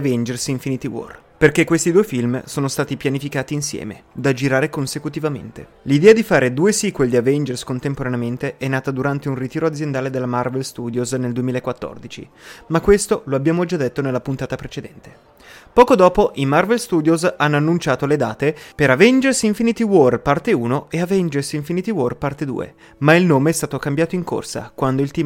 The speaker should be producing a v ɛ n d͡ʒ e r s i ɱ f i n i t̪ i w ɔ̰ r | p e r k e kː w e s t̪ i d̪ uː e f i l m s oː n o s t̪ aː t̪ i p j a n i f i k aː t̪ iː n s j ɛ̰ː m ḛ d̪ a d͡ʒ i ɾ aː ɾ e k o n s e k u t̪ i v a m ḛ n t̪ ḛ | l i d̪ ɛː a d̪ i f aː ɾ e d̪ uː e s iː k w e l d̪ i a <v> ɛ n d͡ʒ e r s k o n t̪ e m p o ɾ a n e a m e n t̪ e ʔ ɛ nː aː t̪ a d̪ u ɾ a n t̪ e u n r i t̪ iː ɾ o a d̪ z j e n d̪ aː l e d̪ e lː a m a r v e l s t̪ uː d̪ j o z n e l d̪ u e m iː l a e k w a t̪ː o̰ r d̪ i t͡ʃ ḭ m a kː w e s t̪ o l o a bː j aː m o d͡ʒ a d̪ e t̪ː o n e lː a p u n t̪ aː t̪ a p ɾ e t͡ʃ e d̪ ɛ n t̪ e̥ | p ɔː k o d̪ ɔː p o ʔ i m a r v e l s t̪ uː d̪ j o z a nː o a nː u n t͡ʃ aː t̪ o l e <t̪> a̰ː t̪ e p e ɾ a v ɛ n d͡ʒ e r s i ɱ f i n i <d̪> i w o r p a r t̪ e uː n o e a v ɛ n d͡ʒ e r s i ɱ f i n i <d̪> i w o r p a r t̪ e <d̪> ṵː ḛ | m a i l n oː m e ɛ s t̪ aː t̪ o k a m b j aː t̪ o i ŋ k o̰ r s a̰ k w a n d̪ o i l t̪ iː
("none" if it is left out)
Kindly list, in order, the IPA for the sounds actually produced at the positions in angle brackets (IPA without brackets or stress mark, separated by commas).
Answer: v, d̪, t̪, t̪, d̪